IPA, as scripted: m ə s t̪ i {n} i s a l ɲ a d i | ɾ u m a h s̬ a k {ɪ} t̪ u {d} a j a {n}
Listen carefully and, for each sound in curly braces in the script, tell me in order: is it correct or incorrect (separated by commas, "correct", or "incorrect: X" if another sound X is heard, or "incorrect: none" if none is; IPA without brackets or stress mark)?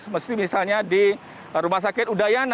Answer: incorrect: m, correct, correct, correct